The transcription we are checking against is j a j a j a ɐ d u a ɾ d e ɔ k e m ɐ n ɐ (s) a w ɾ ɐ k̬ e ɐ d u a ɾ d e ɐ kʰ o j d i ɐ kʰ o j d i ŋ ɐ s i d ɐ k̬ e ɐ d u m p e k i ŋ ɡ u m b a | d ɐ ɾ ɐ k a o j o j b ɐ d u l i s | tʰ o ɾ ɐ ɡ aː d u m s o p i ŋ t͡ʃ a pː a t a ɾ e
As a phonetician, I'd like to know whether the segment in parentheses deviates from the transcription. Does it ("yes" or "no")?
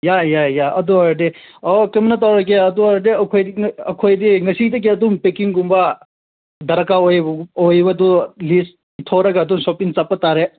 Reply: yes